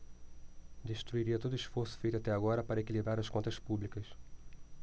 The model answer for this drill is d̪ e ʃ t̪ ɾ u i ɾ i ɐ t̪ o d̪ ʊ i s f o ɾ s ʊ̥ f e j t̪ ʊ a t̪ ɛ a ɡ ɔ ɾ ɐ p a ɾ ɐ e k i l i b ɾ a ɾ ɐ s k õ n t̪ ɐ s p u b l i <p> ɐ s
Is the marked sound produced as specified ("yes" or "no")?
no